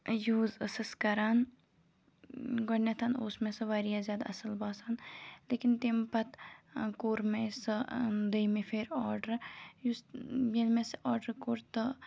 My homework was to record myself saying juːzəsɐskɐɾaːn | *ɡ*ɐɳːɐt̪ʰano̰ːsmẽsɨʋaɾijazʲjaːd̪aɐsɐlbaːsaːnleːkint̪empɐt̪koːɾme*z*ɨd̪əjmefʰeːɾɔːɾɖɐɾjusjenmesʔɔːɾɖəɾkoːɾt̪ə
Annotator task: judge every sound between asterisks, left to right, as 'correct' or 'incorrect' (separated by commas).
correct, incorrect